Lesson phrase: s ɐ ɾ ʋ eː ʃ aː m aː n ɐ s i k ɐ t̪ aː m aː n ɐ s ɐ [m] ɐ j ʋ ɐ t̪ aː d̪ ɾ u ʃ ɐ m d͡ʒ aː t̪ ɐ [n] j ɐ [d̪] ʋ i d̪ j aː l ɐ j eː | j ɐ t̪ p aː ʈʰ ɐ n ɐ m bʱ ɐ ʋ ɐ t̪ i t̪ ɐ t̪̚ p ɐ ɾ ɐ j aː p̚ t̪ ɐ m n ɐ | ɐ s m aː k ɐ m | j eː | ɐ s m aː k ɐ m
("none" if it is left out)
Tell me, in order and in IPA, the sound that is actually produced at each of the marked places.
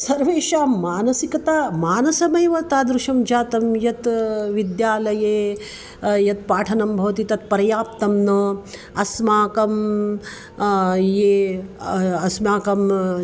m, m, t̪

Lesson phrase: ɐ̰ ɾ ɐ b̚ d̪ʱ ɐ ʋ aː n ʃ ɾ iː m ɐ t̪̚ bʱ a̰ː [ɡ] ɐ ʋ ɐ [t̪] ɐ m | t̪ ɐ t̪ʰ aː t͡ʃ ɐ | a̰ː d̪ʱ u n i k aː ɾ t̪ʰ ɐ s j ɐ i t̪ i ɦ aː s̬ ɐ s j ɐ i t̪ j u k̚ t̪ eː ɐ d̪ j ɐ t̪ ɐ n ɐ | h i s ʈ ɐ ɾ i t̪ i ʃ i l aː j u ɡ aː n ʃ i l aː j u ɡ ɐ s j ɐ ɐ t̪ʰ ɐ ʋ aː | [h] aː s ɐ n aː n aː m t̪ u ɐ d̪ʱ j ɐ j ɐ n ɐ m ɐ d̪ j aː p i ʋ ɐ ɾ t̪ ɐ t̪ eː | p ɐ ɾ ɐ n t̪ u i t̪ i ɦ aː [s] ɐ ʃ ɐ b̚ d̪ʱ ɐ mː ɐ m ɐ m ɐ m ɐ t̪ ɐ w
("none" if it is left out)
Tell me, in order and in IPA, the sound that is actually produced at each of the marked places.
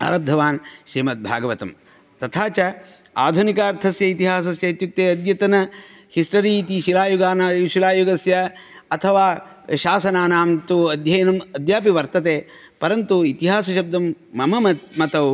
ɡ, t̪, ʃ, s

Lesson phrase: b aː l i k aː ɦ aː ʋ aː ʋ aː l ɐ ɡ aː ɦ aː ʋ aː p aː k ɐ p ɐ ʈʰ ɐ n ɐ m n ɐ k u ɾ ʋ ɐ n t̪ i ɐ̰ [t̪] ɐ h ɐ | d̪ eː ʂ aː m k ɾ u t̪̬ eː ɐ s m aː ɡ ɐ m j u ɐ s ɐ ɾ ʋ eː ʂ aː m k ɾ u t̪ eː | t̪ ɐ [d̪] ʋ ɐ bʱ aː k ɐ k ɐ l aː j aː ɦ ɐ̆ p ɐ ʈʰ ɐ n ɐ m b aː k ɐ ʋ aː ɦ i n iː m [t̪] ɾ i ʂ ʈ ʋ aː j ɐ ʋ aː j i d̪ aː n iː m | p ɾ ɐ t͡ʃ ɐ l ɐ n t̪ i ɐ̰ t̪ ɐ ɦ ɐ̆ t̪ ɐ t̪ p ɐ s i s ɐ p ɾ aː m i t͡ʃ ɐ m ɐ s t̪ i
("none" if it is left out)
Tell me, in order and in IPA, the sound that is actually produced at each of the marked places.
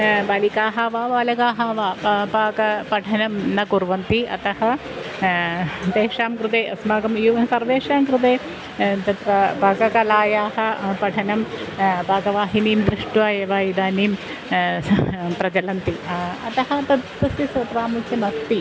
t̪, t̪, d̪

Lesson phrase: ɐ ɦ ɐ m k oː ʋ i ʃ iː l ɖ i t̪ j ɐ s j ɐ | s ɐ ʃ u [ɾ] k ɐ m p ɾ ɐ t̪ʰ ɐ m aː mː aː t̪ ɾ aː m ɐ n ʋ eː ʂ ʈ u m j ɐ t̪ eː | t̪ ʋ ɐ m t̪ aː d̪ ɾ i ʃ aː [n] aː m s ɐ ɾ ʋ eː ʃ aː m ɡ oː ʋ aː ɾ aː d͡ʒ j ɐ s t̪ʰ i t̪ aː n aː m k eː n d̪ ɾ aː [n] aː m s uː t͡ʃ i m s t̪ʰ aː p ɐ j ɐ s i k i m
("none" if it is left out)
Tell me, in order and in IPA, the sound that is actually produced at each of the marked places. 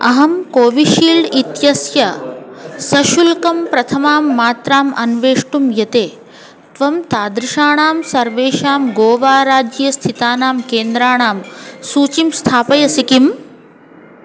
l, ɳ, ɳ

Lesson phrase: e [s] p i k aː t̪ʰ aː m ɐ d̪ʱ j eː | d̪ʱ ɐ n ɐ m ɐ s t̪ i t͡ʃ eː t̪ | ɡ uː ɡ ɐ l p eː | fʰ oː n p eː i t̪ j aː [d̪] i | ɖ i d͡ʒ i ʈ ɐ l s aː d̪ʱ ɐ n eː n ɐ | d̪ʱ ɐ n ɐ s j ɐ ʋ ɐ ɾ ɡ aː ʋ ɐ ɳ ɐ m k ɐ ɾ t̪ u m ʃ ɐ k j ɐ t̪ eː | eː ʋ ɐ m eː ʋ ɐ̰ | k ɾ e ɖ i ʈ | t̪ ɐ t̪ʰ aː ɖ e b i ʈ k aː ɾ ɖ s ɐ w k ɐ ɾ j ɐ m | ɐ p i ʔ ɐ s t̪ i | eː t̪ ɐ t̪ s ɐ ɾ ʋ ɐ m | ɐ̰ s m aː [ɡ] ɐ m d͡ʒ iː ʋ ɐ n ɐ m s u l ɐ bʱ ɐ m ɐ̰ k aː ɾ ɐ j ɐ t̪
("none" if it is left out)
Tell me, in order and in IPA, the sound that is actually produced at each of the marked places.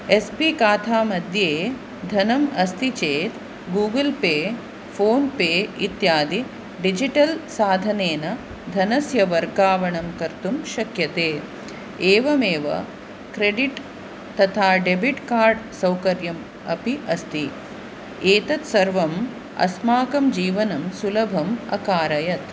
s, d̪, k

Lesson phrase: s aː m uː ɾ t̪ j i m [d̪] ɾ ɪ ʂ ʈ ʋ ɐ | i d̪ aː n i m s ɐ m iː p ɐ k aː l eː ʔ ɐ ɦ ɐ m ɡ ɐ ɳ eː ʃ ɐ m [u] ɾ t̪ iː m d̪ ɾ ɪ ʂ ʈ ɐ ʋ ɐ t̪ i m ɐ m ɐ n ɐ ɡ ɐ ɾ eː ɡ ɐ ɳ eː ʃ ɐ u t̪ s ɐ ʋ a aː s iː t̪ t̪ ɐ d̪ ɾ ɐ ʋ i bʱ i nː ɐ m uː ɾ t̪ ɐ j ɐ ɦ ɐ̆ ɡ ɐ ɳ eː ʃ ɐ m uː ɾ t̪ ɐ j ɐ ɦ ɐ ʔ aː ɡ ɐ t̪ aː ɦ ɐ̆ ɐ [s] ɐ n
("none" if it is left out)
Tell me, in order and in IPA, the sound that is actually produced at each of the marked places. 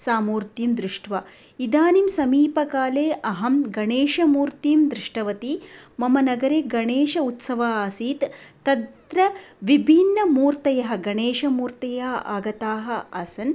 d̪, uː, s

